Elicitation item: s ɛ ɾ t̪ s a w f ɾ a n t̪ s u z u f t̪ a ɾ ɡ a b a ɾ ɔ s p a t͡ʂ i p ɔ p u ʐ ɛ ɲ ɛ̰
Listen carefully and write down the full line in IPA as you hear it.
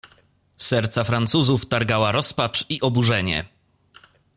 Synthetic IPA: s ɛ ɾ t̪ s a f ɾ a n t̪ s u z u f t̪ a ɾ ɡ a w a ɾ ɔ s p a t͡ʂ i ʔ ɔ b u ʐ ɛ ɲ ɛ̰